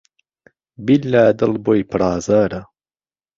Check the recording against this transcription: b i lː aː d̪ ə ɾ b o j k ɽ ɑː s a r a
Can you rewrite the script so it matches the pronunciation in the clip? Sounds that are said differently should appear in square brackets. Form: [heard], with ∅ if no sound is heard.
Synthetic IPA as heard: b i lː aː d̪ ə [l] b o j [p] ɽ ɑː [z] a [ɾ] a